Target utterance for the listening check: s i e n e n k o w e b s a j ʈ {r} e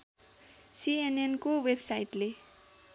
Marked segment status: incorrect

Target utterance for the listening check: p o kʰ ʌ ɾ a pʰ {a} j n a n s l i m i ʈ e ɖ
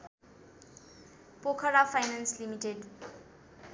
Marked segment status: correct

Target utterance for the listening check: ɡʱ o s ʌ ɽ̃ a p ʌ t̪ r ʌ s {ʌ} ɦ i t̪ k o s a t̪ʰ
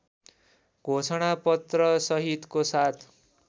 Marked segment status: correct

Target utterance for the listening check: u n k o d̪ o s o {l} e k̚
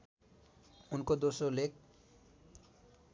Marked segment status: correct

